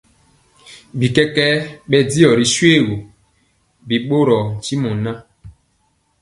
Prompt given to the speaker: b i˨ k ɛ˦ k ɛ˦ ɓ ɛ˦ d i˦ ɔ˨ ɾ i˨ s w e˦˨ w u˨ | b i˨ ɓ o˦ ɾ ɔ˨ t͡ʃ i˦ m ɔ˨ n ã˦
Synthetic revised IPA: b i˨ k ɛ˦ k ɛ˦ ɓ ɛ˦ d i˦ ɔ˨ ɾ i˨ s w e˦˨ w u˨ | b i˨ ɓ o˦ ɾ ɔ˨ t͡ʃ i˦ m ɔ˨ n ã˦